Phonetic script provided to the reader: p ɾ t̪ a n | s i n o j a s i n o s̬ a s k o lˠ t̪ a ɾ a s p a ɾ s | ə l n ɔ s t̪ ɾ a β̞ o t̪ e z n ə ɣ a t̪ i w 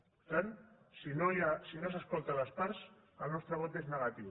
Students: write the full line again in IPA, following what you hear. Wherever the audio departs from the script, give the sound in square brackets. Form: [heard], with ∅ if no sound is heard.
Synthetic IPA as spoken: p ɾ t̪ a n | s i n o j a s i n o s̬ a s k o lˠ t̪ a [l] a s p a ɾ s | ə l n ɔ s t̪ ɾ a β̞ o t̪ e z n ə ɣ a t̪ i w